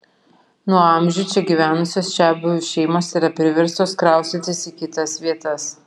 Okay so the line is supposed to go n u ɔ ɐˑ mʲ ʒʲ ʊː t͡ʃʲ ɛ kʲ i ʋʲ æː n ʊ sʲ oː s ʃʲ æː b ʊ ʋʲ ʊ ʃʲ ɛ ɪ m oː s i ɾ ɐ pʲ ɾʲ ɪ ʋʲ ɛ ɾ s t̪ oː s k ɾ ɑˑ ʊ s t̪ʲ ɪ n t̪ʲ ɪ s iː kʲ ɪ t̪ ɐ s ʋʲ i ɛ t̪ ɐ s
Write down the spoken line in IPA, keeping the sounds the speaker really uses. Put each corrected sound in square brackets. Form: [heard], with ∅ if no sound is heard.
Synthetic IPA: n u ɔ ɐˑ mʲ ʒʲ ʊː t͡ʃʲ ɛ [ɡʲ] i ʋʲ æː n ʊ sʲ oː s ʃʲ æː b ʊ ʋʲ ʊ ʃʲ ɛ ɪ m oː s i ɾ ɐ pʲ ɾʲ ɪ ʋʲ ɛ ɾ s t̪ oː s k ɾ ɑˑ ʊ s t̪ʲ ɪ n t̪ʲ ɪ s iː kʲ ɪ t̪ ɐ s ʋʲ i ɛ t̪ ɐ s